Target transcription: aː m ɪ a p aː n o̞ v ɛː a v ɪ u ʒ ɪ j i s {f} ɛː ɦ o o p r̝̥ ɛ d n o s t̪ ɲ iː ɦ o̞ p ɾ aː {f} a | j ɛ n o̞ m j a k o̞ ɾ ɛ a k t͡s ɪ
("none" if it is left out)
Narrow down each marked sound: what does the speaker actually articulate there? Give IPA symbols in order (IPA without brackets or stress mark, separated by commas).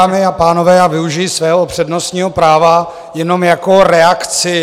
v, v